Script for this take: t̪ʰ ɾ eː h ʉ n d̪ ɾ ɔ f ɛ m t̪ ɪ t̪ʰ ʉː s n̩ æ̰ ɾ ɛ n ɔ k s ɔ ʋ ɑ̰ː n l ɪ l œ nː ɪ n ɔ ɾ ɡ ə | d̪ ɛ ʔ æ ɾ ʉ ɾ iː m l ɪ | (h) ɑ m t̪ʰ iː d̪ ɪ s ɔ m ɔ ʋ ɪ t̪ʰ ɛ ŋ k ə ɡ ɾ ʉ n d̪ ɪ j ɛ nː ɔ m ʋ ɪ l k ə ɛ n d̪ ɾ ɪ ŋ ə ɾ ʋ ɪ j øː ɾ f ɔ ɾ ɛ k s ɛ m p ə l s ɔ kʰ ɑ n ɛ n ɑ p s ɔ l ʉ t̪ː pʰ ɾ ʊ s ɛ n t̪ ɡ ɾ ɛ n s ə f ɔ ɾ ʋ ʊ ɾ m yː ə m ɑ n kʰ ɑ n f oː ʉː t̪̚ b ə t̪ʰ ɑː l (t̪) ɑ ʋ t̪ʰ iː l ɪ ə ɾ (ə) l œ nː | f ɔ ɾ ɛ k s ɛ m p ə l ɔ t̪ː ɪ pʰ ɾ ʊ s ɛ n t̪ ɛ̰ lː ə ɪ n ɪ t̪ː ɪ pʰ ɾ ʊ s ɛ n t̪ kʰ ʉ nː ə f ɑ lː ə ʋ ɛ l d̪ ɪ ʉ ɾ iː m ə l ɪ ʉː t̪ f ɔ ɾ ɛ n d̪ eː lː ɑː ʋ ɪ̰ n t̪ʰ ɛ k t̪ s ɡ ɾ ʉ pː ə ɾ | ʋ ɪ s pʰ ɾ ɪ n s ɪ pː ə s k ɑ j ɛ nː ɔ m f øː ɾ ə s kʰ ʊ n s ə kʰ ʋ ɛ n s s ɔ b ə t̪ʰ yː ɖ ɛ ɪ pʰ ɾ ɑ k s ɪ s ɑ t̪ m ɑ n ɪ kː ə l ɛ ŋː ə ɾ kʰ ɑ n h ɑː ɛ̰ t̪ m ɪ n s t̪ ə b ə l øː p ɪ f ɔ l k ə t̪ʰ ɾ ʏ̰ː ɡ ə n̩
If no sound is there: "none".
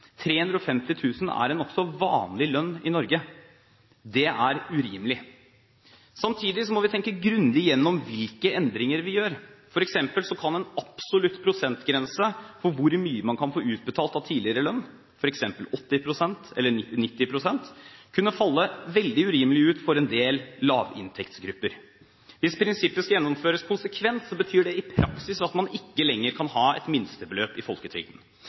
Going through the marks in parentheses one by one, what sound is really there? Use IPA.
s, t̪, ə

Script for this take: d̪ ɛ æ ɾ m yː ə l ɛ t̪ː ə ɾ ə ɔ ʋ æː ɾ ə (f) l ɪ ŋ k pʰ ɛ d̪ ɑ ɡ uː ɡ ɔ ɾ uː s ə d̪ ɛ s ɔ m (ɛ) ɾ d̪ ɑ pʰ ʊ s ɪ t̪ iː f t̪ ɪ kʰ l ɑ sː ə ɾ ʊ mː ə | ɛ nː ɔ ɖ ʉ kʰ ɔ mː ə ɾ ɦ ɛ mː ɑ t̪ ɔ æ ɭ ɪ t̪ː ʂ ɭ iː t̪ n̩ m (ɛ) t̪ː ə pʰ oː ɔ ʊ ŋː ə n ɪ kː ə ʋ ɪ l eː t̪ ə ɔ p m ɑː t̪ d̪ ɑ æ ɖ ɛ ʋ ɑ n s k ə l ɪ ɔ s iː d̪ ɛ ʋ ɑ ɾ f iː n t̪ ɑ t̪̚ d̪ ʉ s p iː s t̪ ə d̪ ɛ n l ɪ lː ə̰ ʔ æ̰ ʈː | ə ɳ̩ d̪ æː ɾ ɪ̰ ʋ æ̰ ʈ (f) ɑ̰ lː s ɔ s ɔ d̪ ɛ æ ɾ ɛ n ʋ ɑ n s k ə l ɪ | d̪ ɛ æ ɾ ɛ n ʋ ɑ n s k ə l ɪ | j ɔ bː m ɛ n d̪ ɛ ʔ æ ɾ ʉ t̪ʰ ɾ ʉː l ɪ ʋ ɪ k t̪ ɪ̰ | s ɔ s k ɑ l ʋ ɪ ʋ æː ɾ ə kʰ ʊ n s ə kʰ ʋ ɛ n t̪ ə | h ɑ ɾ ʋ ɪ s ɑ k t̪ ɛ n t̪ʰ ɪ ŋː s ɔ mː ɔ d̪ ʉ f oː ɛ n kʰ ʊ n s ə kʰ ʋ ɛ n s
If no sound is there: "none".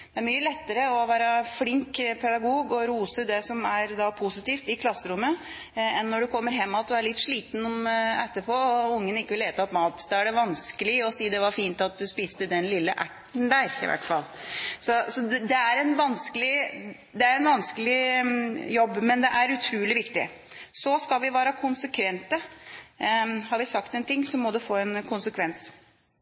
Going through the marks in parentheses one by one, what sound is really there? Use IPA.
f, æ, ɛ, f

